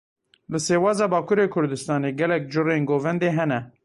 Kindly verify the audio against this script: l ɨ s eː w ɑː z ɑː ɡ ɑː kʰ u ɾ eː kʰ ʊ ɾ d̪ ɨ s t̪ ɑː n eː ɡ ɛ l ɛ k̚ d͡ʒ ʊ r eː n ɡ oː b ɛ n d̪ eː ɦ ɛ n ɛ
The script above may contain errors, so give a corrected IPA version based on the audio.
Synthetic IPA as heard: l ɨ s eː w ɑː z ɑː b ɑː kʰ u ɾ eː kʰ ʊ ɾ d̪ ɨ s t̪ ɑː n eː ɡ ɛ l ɛ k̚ d͡ʒ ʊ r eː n ɡ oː v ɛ n d̪ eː ɦ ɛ n ɛ

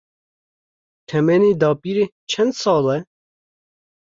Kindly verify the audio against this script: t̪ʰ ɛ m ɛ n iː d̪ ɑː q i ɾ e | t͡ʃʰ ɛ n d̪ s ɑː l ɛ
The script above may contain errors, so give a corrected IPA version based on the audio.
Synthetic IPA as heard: t̪ʰ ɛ m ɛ n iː d̪ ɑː p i ɾ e | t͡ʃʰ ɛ n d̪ s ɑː l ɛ

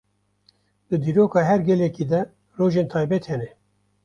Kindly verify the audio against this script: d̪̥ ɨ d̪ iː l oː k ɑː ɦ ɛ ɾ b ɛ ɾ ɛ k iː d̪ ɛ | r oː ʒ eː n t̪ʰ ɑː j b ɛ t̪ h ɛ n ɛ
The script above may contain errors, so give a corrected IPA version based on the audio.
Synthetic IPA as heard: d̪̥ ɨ d̪ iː ɾ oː k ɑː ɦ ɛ ɾ ɡ ɛ l ɛ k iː d̪ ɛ | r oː ʒ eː n t̪ʰ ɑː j b ɛ t̪ h ɛ n ɛ

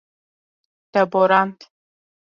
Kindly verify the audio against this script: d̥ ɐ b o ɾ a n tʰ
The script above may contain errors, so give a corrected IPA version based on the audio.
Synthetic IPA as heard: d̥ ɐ b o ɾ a n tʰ

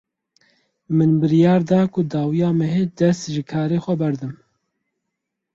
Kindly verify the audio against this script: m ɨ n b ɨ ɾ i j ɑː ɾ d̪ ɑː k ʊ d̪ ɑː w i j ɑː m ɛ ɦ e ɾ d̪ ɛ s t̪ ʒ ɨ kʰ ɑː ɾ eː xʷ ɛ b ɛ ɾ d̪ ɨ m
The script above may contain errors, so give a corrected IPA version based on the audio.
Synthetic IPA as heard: m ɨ n b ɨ ɾ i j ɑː ɾ d̪ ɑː k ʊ d̪ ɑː w i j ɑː m ɛ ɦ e d̪ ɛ s t̪ ʒ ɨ kʰ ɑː ɾ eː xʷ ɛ b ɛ ɾ d̪ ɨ m

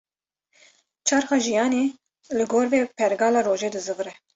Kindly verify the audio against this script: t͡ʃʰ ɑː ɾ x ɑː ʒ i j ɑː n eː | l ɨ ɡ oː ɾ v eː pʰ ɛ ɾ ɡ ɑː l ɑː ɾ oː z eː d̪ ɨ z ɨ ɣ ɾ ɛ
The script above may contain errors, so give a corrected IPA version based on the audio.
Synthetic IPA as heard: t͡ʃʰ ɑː ɾ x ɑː ʒ i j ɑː n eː | l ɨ ɡ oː ɾ v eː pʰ ɛ ɾ ɡ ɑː l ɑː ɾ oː ʒ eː d̪ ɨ z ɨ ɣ ɾ ɛ

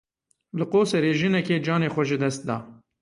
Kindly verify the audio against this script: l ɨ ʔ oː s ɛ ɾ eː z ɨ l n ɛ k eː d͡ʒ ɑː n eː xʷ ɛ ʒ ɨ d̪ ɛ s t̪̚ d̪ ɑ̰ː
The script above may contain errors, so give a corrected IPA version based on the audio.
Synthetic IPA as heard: l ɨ q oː s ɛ ɾ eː ʒ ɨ n ɛ k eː d͡ʒ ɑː n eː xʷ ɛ ʒ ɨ d̪ ɛ s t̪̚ d̪ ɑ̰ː

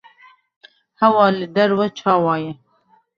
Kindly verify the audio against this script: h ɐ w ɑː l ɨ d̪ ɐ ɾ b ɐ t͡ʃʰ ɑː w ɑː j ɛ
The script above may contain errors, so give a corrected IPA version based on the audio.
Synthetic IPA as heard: h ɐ w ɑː l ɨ d̪ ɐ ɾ w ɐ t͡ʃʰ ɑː w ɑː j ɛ

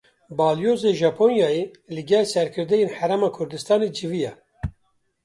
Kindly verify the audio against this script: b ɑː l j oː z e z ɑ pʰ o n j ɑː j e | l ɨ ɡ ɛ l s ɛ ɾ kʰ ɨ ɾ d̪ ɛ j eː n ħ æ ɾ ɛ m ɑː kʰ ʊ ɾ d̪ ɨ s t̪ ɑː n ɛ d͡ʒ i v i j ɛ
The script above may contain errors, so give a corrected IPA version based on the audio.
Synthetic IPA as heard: b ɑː l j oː z e ʒ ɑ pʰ o n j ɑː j e | l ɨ ɡ ɛ l s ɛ ɾ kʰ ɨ ɾ d̪ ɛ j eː n ħ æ ɾ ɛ m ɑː kʰ ʊ ɾ d̪ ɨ s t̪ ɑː n e d͡ʒ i v i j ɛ

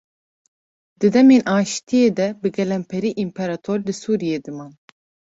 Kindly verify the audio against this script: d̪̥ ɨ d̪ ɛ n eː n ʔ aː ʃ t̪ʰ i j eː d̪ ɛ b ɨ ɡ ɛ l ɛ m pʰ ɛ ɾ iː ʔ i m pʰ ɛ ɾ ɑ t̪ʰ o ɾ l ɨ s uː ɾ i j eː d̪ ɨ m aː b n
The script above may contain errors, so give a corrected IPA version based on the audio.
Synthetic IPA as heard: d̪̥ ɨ d̪ ɛ m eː n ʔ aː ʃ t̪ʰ i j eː d̪ ɛ b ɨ ɡ ɛ l ɛ m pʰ ɛ ɾ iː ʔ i m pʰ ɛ ɾ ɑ t̪ʰ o ɾ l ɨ s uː ɾ i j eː d̪ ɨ m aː n

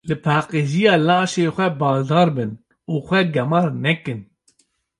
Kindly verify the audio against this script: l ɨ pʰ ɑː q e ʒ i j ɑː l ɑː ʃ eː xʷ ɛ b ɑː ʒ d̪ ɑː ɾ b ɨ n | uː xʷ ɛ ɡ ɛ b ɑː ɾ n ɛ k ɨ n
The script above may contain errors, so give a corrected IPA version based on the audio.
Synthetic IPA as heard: l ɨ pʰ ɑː q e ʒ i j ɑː l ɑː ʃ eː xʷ ɛ b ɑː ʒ d̪ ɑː ɾ b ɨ n | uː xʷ ɛ ɡ ɛ m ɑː ɾ n ɛ k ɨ n

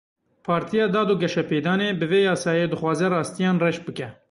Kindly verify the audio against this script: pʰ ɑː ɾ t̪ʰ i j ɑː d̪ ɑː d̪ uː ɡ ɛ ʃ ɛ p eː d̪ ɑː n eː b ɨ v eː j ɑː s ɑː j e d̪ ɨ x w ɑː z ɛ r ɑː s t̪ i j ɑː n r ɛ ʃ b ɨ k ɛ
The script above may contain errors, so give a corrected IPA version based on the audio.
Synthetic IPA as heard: pʰ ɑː ɾ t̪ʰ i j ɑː d̪ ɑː d̪ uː ɡ ɛ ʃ ɛ p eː d̪ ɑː n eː b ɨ v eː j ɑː s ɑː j e d̪ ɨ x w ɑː z ɛ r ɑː s t̪ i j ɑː n r ɛ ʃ b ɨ k ɛ

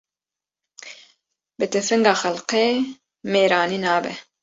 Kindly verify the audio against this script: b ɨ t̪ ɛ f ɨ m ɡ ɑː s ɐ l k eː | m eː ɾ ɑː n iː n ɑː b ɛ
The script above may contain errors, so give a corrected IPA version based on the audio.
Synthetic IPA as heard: b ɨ t̪ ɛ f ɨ ŋ ɡ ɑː x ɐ l q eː | m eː ɾ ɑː n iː n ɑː b ɛ

